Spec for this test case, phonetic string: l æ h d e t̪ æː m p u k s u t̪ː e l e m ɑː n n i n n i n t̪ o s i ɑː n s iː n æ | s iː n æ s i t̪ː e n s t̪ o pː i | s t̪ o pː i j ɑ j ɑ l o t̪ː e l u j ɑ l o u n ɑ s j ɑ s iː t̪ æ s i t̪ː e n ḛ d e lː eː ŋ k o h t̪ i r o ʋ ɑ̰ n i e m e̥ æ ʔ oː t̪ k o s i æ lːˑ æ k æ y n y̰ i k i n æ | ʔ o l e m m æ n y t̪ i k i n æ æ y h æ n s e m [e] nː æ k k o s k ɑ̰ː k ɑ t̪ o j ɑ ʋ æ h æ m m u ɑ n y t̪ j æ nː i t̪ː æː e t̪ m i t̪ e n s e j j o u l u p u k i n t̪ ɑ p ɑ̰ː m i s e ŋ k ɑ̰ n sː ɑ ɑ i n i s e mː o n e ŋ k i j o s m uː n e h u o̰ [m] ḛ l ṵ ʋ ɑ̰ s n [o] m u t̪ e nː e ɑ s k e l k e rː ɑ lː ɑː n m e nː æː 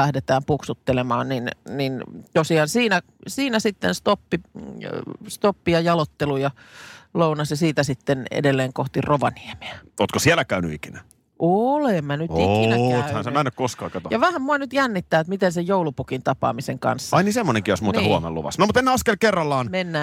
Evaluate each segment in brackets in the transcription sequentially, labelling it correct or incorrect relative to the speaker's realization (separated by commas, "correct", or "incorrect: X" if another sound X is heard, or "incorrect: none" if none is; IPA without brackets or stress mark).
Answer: incorrect: æ, correct, correct